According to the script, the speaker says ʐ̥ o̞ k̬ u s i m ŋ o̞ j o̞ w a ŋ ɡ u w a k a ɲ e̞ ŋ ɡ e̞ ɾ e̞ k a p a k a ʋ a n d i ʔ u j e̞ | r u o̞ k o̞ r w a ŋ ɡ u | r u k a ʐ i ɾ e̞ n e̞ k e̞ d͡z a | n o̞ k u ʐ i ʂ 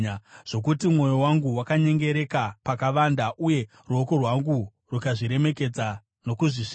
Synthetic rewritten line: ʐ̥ o̞ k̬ u t i m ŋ o̞ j o̞ w a ŋ ɡ u w a k a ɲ e̞ ŋ ɡ e̞ ɾ e̞ k a p a k a ʋ a n d a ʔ u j e̞ | r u o̞ k o̞ r w a ŋ ɡ u | r u k a ʐ i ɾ e̞ m e̞ k e̞ d͡z a | n o̞ k u ʐ i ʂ